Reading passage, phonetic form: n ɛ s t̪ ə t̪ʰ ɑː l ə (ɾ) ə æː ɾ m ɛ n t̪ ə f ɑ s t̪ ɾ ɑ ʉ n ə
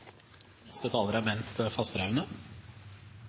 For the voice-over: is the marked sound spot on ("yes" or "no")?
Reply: yes